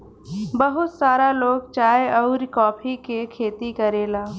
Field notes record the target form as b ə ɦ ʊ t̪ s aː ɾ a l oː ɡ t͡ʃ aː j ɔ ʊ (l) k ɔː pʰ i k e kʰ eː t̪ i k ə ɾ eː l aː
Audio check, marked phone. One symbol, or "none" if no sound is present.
ɾ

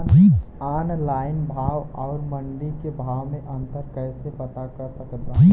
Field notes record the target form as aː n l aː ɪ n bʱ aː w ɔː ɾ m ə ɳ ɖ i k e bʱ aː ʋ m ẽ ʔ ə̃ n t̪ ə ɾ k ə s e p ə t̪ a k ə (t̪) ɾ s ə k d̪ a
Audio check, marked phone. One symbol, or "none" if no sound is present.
none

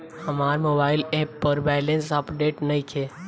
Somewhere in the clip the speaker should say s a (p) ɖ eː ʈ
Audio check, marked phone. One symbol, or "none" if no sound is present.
p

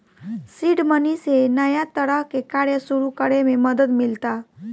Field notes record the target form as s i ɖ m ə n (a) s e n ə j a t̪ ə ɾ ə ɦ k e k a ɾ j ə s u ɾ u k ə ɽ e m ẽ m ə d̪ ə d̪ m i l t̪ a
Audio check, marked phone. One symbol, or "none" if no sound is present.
i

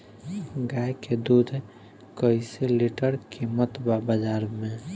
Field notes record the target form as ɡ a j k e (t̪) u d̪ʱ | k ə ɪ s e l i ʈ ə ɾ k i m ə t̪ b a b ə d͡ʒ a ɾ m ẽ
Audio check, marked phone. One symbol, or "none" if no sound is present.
d̪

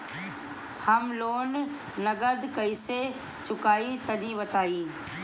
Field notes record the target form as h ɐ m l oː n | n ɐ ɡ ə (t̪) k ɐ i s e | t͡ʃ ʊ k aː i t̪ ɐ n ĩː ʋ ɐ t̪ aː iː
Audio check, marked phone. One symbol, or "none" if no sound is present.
d̪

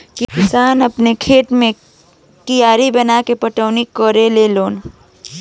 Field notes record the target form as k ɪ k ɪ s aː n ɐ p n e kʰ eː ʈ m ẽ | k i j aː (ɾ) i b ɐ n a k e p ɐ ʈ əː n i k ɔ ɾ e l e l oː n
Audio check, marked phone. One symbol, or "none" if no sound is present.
ɾ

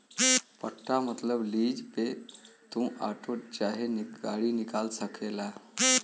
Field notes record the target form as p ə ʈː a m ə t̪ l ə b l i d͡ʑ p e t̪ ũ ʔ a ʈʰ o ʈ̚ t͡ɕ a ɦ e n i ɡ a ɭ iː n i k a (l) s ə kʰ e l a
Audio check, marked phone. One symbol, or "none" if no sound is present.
l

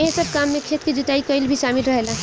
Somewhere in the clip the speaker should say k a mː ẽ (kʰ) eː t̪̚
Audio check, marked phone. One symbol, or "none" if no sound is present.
kʰ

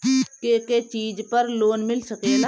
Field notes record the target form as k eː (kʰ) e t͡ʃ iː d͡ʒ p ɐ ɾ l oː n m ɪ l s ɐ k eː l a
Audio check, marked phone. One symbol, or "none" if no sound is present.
k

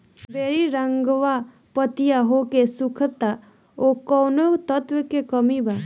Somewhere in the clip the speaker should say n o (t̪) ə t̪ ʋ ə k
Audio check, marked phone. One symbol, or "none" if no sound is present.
t̪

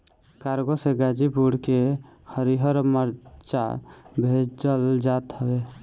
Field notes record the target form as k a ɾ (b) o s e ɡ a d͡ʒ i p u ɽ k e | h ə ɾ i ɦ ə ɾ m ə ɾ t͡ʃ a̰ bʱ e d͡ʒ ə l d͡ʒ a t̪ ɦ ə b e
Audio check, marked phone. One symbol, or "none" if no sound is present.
ɡ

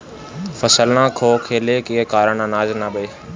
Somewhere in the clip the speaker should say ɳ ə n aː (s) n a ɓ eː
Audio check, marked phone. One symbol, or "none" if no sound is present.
z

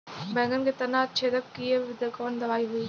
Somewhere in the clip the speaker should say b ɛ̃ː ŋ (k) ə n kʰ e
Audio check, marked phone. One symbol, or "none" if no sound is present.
ɡ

